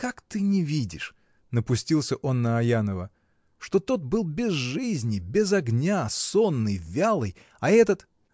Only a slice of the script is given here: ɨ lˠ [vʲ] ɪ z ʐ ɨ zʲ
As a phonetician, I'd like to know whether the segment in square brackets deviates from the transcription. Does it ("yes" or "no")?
yes